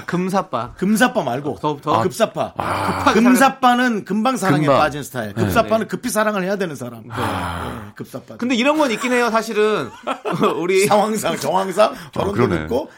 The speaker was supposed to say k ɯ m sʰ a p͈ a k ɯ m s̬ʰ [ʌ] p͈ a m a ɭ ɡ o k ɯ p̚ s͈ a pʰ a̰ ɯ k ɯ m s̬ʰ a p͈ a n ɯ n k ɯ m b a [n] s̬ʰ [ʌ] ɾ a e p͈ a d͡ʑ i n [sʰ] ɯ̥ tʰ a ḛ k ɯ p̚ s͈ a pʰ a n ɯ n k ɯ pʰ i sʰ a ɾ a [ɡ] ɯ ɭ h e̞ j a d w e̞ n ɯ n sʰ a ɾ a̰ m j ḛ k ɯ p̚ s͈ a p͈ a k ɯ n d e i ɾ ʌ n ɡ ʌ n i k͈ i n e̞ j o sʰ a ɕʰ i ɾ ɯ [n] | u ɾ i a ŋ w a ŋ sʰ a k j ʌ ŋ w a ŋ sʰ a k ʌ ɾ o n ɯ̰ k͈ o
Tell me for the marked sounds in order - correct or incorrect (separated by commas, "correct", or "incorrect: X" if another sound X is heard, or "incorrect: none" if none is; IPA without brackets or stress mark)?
incorrect: a, incorrect: ŋ, incorrect: a, correct, incorrect: ŋ, correct